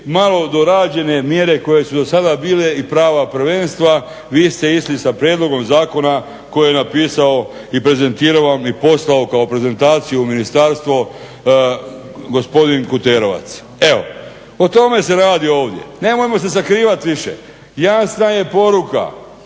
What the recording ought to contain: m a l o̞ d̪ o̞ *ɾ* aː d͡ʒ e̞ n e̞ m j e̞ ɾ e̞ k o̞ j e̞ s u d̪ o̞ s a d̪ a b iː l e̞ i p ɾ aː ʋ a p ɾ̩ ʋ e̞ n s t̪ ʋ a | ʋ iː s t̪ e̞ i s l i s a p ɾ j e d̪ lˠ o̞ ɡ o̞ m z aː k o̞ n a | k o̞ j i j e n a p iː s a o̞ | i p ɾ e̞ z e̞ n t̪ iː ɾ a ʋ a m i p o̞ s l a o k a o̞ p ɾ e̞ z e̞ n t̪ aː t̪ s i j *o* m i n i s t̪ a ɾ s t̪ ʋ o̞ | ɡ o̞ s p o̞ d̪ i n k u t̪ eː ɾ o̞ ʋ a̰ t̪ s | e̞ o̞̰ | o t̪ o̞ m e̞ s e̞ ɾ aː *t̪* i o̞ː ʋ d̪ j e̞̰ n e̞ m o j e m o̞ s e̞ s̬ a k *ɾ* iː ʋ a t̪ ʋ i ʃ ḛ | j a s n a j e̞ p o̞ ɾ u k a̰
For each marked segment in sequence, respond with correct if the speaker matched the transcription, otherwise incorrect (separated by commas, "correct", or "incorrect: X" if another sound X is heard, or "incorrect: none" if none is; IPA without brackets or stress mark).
correct, incorrect: u, incorrect: d̪, correct